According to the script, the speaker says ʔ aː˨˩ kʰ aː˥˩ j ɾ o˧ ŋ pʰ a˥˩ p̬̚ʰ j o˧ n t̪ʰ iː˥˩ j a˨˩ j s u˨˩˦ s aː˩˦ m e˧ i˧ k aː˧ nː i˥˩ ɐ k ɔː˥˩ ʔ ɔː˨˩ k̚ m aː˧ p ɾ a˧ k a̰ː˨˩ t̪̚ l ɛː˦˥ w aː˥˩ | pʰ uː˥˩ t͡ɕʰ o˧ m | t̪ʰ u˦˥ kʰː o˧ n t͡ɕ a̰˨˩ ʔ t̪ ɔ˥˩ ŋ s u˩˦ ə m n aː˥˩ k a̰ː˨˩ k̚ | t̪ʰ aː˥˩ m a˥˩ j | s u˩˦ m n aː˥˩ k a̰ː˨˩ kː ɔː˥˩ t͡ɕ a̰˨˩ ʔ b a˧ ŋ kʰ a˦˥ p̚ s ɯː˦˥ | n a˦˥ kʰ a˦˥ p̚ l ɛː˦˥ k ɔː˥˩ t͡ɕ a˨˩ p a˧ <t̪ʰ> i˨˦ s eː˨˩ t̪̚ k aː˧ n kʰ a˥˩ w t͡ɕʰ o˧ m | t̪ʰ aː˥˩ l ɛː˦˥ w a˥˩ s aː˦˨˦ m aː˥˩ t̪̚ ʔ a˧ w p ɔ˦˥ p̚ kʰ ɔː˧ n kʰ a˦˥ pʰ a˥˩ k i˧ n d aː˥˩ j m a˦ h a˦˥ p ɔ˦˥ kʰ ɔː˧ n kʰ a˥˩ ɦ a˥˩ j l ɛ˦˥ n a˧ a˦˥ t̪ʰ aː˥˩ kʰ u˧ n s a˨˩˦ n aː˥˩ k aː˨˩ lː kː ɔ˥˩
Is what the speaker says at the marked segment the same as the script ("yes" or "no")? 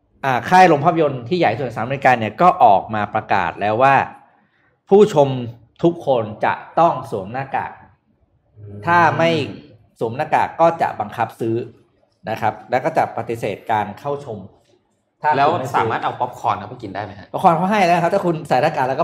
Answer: no